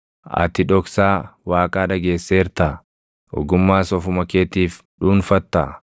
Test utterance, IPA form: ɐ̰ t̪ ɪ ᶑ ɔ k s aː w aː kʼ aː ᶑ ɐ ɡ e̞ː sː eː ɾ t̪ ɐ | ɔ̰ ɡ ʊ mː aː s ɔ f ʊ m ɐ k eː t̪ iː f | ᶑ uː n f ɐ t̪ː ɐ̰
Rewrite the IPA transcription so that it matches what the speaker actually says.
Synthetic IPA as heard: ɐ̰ t̪ ɪ ᶑ ɔ k s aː w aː kʼ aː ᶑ ɐ ɡ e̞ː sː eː ɾ t̪ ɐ | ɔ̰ ɡ ʊ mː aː s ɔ f ʊ m ɐ k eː t̪ iː f | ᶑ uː n f ɐ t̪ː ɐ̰